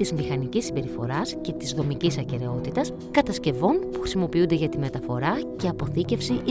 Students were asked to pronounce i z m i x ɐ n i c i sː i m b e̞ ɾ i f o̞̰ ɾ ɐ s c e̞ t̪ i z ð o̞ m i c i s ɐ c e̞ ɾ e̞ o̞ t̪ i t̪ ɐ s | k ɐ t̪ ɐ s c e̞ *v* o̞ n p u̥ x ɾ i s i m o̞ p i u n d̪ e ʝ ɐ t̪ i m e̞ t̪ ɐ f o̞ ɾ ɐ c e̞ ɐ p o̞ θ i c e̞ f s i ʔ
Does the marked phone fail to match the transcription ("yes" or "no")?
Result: no